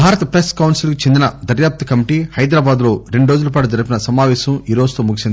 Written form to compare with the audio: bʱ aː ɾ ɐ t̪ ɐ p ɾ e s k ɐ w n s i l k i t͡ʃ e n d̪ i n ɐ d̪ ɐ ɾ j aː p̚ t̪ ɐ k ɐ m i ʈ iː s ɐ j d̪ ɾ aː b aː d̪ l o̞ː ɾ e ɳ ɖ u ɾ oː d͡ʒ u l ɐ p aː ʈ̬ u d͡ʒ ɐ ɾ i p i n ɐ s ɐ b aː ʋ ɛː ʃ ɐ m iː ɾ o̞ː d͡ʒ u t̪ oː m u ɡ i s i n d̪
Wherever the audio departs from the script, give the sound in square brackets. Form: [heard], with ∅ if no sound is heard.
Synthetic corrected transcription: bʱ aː ɾ ɐ t̪ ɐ p ɾ e s k ɐ w n s i l k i t͡ʃ e n d̪ i n ɐ d̪ ɐ ɾ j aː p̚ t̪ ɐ k ɐ m i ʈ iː [h] ɐ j d̪ ɾ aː b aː d̪ l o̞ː ɾ e ɳ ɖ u ɾ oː d͡ʒ u l ɐ p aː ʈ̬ u d͡ʒ ɐ ɾ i p i n ɐ s ɐ [m] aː ʋ ɛː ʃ ɐ m iː ɾ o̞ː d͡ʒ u t̪ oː m u ɡ i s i n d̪